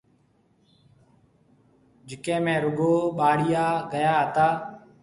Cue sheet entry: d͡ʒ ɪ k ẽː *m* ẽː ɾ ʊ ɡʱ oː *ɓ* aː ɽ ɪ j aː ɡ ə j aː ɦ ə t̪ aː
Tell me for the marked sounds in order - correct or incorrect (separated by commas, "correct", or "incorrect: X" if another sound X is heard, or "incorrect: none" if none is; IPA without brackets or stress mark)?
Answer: correct, correct